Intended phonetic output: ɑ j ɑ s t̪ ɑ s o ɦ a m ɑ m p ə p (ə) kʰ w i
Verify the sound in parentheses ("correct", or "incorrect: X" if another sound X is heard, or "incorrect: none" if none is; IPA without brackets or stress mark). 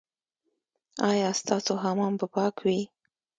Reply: incorrect: ɑ